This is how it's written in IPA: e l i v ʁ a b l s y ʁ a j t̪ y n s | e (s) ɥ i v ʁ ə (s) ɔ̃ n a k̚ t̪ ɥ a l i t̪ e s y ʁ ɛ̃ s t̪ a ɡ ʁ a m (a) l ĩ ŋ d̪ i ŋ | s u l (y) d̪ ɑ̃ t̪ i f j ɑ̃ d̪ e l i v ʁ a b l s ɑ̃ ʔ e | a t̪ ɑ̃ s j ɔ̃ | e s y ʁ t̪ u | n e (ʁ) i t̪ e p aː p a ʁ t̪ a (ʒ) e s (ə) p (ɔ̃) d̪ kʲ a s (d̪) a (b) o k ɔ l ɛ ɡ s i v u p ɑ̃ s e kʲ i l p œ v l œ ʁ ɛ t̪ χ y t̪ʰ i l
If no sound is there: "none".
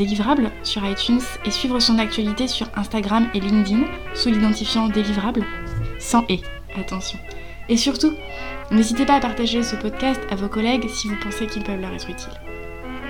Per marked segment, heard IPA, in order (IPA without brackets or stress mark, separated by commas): s, s, e, i, z, ʒ, ə, ɔ, t̪, v